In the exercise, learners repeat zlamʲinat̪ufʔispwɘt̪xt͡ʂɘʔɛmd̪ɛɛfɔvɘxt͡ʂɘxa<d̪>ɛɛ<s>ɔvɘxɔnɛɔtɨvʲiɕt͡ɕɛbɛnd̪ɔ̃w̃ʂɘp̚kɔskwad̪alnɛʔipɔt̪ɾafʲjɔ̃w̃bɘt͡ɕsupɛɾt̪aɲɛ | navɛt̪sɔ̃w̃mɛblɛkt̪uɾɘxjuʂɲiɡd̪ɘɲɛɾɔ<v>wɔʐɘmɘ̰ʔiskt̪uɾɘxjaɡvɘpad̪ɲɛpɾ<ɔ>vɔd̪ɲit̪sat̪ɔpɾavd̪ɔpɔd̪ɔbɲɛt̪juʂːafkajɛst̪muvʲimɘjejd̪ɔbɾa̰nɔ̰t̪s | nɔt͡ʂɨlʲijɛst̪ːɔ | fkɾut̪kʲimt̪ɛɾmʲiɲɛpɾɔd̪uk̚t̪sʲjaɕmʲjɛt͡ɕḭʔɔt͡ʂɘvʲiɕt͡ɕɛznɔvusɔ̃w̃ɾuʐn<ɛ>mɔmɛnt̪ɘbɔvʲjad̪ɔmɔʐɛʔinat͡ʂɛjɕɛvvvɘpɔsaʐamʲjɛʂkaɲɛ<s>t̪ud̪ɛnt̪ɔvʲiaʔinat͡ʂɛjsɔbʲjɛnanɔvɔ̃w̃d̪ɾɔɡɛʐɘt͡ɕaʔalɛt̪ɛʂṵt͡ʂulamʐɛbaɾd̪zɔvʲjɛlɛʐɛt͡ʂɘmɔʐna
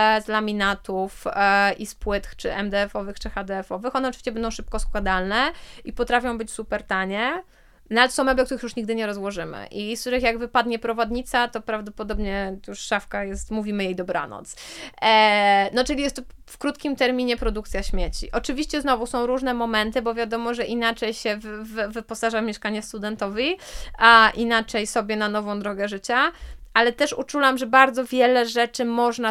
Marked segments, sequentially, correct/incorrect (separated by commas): correct, incorrect, incorrect, correct, correct, correct